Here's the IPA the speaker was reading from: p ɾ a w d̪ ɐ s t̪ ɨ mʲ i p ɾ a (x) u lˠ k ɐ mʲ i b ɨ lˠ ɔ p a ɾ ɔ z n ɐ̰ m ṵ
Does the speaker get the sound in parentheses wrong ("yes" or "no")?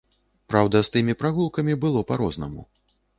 yes